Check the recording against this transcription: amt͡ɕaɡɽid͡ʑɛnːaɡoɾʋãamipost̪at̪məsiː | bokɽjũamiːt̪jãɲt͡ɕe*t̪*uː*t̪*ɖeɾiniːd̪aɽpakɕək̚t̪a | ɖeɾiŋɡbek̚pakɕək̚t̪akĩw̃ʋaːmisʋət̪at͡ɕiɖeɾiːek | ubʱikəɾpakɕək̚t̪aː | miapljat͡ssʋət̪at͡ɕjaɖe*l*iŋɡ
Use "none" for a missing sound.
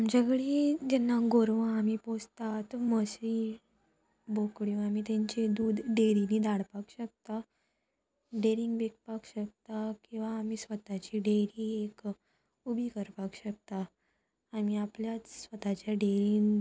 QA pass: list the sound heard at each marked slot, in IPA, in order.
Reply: d̪, d̪, ɾ

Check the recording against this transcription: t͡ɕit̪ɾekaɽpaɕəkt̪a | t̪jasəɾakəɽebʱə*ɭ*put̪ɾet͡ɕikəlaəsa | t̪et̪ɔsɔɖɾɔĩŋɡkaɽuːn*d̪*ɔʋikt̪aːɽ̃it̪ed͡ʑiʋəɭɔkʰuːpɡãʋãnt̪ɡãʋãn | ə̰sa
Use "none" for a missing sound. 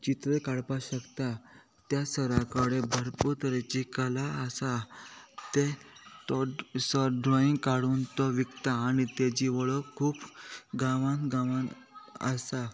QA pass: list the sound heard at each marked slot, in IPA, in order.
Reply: ɾ, t̪

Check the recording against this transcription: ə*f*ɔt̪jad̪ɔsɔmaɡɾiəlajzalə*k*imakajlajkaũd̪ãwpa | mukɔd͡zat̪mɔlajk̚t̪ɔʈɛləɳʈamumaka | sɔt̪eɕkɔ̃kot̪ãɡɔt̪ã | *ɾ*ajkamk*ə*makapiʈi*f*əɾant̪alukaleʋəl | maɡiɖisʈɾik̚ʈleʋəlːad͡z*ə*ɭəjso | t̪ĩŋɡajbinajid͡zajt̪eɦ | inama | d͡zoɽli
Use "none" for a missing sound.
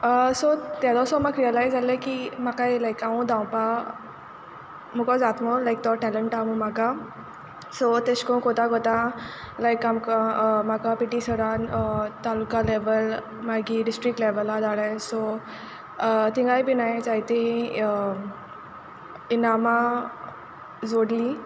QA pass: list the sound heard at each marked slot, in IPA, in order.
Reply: s, k, l, a, s, a

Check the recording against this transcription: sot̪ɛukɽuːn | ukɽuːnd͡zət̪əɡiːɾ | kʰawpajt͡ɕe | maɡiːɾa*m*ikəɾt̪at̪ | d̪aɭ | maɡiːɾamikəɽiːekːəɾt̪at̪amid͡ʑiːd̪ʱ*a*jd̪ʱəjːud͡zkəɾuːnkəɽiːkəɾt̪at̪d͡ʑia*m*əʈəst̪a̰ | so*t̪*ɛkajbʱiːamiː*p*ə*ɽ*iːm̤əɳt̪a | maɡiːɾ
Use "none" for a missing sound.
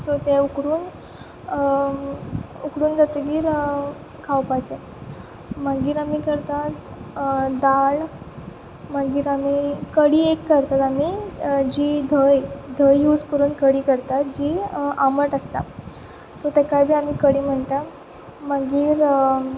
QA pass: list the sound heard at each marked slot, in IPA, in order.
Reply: m, ə, m, t̪, k, ɽ

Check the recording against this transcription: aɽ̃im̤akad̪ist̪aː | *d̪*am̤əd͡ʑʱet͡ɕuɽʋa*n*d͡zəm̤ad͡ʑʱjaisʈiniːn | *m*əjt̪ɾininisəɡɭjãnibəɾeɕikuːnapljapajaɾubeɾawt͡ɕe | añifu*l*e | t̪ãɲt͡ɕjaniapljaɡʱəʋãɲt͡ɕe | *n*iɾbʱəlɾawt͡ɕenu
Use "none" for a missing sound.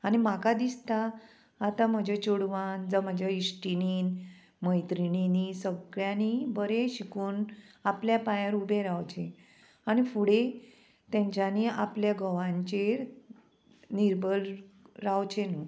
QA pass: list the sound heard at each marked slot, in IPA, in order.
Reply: t̪, n, m, ɽ, n

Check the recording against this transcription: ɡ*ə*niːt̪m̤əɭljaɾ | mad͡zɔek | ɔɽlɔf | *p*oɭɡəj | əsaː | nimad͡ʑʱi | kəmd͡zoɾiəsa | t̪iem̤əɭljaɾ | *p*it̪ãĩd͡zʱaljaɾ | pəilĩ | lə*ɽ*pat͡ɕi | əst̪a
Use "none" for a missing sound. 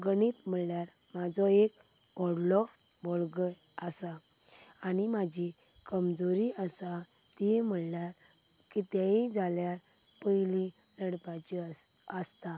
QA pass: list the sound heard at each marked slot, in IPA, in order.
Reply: ə, b, k, ɽ

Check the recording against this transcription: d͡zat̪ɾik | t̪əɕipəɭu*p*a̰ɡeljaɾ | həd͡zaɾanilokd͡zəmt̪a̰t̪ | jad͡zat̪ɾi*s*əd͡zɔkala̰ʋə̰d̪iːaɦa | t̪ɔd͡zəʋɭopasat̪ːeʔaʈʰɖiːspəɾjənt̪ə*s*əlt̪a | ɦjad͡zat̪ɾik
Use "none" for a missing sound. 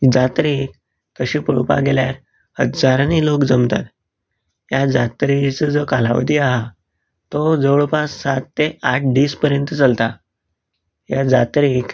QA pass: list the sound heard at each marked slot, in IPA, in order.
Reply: p, t͡s, t͡s

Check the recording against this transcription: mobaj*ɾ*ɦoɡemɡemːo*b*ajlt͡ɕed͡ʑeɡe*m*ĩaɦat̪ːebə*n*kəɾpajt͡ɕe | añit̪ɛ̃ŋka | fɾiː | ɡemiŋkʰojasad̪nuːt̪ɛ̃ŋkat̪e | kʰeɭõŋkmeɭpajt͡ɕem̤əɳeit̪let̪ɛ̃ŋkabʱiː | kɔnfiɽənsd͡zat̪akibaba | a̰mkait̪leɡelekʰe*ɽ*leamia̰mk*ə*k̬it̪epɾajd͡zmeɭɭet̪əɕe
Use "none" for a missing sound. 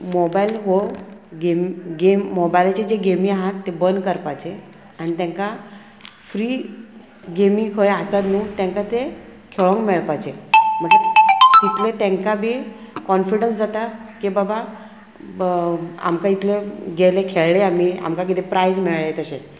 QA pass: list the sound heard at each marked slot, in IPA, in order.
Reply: l, b, m, n, ɭ, a

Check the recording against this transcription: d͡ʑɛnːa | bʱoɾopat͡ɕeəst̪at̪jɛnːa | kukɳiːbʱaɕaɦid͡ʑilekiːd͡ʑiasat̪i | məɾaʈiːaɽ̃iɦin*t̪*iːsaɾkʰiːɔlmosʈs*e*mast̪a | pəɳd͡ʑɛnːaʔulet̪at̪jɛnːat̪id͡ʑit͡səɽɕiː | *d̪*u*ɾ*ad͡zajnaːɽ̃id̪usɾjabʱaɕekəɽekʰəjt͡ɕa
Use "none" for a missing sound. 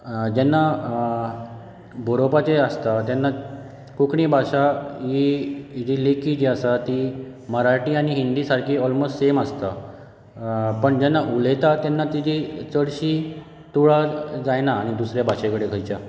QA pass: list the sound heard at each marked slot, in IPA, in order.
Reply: d̪, e, t̪, ɭ

